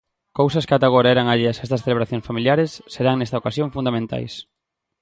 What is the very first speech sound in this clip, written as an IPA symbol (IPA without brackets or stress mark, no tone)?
k